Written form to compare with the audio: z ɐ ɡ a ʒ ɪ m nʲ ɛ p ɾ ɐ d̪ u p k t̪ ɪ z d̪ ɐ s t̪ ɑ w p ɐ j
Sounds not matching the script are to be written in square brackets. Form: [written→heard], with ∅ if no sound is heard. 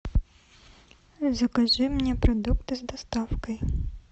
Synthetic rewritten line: z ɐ [ɡ→k] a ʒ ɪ m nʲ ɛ p ɾ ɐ d̪ u [p→∅] k t̪ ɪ z d̪ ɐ s t̪ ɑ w [p→k] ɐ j